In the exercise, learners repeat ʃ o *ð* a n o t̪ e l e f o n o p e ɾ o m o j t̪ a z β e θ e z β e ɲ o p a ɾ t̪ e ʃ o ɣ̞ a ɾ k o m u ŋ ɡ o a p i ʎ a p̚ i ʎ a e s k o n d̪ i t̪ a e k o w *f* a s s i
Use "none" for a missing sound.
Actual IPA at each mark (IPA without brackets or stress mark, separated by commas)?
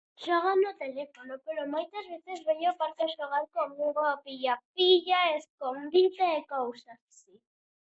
ɣ, s